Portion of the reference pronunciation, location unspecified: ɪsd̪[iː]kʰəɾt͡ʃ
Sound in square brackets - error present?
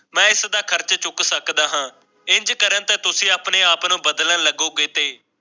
yes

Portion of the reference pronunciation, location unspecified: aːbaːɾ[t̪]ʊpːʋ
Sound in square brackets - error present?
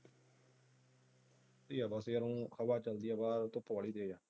no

